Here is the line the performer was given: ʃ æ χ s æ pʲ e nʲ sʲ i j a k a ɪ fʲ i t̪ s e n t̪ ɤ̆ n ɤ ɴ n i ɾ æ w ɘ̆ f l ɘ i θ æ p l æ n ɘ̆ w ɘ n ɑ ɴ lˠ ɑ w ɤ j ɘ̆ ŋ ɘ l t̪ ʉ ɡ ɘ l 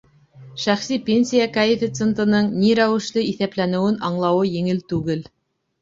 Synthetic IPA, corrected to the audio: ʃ æ χ s i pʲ e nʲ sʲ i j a k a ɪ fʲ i t̪ s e n t̪ ɤ̆ n ɤ ɴ n i ɾ æ w ɘ̆ ʃ l ɘ i θ æ p l æ n ɘ̆ w ɘ n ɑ ɴ lˠ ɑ w ɤ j ɘ̆ ŋ ɘ l t̪ ʉ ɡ ɘ l